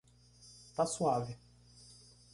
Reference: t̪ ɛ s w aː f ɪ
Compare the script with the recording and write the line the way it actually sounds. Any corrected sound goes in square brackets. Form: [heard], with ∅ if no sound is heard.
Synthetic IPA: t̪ [a] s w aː [v] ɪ